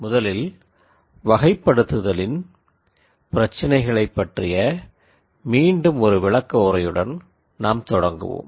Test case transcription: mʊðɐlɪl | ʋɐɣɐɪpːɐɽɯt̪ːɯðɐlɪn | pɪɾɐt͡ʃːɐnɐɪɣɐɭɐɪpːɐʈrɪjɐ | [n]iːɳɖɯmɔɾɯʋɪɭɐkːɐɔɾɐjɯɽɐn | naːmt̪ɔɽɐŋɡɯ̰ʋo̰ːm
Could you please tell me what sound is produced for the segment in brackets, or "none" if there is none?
m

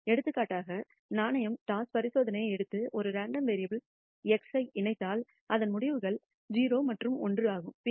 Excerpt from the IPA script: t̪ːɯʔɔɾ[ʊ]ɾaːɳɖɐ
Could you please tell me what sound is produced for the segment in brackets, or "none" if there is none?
ɯ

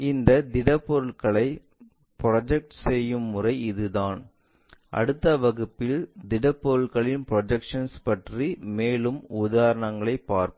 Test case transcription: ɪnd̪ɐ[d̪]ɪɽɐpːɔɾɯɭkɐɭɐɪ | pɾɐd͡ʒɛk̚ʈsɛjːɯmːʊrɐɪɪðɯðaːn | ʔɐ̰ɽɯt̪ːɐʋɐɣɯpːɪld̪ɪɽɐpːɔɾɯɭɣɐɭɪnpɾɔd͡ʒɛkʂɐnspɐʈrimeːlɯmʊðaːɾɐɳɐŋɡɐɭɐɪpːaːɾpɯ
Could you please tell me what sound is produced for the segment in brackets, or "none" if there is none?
d̪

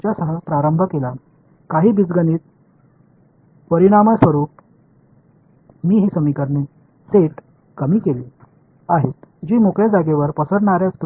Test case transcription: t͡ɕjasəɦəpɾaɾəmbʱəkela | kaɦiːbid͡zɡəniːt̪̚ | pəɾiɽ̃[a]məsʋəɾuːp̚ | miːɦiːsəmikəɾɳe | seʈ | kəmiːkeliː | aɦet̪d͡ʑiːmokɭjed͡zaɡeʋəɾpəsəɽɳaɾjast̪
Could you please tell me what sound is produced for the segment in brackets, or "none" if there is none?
a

